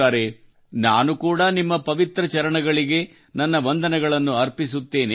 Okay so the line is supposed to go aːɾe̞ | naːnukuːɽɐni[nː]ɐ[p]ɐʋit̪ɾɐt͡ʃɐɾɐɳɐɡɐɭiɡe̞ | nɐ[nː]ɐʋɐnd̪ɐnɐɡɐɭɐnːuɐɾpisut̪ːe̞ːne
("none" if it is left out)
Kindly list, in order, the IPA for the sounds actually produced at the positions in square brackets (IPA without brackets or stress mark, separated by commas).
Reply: mː, p, nː